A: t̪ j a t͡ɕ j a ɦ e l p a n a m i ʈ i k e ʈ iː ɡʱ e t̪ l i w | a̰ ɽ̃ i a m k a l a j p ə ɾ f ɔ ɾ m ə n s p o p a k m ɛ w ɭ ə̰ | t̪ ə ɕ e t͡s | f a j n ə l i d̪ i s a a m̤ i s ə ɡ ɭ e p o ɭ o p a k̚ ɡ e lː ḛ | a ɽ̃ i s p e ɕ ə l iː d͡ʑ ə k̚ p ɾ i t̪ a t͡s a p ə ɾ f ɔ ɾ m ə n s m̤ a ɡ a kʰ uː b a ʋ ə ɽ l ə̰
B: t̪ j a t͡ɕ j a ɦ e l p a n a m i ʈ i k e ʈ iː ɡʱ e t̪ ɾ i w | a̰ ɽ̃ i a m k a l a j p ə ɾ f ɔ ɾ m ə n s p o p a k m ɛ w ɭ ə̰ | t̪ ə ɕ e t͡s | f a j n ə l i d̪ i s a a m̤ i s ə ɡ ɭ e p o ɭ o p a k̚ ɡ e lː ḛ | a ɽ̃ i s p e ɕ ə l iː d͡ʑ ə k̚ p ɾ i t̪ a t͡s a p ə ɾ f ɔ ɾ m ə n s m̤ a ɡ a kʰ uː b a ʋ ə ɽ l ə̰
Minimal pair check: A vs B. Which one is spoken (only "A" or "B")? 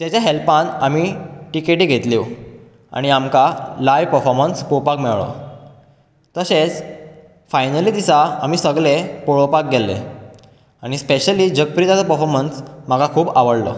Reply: A